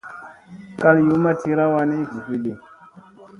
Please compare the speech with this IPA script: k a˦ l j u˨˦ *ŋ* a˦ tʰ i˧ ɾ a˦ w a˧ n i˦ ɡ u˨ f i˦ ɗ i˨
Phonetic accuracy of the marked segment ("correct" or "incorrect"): incorrect